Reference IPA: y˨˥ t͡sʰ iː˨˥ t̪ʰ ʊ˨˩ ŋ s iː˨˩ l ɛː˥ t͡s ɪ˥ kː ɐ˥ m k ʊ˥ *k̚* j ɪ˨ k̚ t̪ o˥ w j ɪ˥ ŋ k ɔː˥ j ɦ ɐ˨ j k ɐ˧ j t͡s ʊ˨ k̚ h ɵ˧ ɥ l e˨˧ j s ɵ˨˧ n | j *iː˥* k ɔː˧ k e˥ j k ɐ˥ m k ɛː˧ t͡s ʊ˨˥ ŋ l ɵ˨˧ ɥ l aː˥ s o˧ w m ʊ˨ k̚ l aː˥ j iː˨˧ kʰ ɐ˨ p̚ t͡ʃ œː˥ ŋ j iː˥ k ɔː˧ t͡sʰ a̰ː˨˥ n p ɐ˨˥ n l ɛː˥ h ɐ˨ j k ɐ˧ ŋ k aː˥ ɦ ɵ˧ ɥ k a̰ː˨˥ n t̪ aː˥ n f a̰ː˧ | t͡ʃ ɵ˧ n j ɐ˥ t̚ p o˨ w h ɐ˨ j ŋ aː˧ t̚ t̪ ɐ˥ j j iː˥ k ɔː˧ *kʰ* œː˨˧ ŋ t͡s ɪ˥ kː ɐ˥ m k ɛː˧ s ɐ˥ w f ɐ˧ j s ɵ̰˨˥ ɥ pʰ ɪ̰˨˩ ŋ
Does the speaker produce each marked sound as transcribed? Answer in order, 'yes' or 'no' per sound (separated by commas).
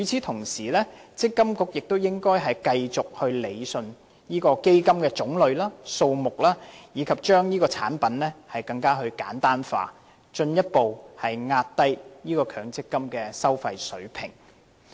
yes, yes, yes